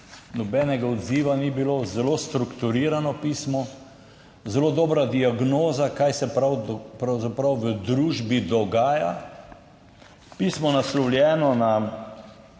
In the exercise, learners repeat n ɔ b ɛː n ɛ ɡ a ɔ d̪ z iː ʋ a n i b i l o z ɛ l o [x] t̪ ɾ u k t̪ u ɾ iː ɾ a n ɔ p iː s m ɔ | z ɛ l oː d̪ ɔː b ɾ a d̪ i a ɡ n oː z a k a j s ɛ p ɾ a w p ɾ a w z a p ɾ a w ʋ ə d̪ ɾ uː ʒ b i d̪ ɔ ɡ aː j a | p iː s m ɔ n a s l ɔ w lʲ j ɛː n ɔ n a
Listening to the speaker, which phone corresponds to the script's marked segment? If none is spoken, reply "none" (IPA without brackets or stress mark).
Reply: s